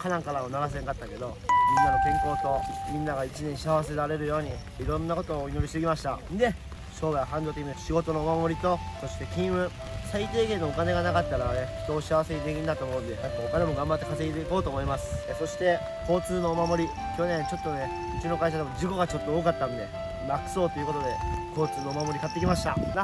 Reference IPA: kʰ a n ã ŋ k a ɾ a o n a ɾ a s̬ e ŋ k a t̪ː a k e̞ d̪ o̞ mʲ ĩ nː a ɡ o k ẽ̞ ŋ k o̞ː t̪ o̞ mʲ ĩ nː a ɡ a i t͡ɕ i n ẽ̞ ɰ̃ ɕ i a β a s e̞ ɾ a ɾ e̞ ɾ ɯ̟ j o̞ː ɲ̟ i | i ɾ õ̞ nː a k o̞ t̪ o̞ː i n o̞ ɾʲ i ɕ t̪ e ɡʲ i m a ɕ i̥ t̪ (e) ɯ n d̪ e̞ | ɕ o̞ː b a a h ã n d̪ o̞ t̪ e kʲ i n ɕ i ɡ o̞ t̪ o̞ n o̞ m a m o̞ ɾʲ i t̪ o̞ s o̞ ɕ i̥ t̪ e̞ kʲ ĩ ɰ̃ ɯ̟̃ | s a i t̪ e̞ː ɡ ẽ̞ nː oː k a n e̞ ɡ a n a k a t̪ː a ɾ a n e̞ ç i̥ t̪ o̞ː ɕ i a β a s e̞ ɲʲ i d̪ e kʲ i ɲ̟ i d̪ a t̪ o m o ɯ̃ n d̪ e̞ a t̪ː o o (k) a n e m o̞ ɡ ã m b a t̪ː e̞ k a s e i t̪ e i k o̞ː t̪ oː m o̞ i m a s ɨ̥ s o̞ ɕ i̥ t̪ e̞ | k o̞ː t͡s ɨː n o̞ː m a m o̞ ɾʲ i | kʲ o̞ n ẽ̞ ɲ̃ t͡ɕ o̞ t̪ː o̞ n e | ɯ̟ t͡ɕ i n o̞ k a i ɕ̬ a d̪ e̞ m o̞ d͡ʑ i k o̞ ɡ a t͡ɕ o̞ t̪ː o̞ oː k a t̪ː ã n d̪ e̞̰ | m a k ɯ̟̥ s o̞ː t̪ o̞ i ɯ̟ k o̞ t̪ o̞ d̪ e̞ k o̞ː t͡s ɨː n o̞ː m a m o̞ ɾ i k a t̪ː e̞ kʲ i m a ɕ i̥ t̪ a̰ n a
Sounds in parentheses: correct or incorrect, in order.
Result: incorrect: a, correct

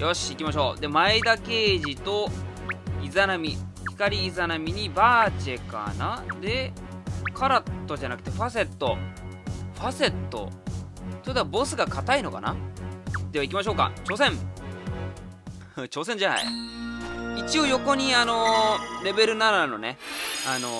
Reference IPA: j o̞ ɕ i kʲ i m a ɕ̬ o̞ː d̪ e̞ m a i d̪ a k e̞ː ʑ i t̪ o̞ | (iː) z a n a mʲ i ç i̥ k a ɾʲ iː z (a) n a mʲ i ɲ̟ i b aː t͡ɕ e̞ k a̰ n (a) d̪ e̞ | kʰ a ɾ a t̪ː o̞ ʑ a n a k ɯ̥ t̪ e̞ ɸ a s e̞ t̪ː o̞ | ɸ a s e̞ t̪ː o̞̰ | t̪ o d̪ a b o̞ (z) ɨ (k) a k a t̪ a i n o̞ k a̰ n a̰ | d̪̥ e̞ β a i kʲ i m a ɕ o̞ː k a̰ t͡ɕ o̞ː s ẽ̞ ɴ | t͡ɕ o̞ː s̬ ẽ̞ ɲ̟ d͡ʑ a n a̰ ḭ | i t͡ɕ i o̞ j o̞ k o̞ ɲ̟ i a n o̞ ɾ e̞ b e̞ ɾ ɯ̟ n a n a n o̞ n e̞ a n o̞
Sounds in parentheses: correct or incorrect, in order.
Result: incorrect: i, correct, correct, incorrect: s, incorrect: ɡ

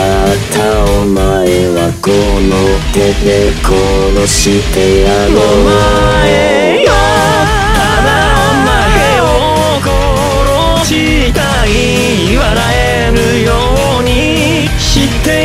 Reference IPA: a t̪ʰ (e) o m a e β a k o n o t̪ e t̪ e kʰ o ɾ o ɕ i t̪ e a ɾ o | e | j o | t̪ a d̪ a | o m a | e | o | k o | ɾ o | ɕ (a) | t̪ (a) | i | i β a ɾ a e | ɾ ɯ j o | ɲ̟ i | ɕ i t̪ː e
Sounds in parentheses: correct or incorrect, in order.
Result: incorrect: a, incorrect: i, correct

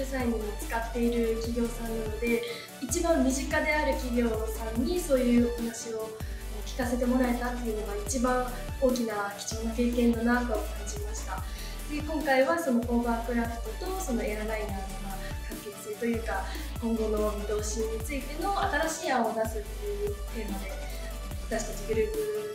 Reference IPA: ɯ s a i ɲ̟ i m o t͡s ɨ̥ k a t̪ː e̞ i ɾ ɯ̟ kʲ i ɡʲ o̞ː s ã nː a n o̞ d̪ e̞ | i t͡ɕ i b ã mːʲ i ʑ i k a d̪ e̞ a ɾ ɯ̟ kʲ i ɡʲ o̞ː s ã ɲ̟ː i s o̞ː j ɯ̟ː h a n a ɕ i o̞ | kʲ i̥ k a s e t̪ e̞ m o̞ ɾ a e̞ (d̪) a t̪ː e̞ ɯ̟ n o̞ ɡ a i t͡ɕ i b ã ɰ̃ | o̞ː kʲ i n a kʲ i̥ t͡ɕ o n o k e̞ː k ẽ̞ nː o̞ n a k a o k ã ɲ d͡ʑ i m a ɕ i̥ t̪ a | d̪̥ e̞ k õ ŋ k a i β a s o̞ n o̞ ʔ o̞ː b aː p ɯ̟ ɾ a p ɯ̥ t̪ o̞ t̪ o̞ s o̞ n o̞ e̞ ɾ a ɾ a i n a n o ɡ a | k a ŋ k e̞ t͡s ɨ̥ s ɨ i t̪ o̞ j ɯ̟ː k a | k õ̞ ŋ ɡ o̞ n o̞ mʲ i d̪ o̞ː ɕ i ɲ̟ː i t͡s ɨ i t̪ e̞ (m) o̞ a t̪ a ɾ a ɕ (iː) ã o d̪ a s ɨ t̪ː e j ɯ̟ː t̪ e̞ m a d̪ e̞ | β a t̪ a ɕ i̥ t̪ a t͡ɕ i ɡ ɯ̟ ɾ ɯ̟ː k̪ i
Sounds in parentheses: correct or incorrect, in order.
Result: incorrect: t̪, incorrect: n, correct

